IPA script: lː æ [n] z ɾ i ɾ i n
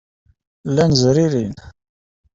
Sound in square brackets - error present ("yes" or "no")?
no